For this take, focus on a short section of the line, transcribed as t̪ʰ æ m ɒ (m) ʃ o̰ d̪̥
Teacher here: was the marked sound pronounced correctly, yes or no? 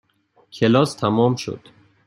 yes